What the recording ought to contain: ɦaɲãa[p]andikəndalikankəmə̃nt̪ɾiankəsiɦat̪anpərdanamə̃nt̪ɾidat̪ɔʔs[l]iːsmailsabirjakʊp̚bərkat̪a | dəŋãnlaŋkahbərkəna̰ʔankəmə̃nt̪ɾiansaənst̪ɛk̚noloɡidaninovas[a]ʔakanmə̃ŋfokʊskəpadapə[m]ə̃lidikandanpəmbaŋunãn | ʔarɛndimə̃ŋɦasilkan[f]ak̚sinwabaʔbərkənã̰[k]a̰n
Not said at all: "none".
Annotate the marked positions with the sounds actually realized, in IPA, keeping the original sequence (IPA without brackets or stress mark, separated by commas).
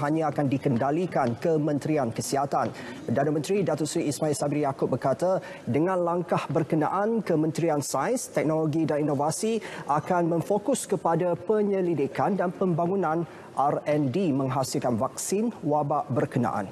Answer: k, ɾ, i, ɲ, v, ʔ